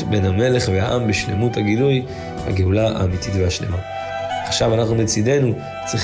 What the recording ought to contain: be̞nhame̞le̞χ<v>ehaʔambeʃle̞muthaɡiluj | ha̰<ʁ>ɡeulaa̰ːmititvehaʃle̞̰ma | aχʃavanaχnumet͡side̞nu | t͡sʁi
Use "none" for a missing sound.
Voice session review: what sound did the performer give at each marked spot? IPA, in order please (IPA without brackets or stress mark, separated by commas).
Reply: v, none